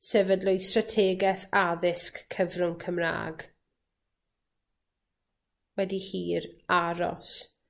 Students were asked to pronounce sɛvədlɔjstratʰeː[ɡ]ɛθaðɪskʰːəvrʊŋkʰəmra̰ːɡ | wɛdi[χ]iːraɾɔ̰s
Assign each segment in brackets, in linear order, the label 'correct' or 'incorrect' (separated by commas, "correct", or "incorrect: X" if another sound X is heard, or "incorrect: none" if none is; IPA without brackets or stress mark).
correct, incorrect: h